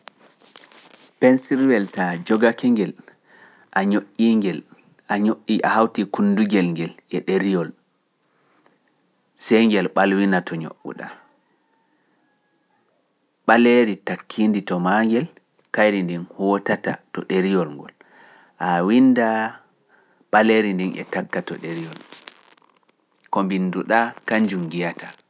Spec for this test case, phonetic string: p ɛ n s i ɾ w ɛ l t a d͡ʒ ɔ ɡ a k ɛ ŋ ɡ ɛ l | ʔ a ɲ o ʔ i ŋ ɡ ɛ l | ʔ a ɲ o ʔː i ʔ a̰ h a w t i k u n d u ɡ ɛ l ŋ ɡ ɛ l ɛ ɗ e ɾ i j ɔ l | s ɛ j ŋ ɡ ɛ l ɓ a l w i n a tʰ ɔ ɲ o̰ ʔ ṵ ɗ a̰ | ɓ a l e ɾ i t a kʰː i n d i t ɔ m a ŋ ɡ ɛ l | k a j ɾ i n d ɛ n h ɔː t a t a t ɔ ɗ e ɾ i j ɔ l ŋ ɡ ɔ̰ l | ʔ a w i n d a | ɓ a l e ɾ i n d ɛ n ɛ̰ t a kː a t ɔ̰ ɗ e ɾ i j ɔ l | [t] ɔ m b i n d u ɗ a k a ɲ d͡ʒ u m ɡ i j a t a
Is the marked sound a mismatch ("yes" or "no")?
yes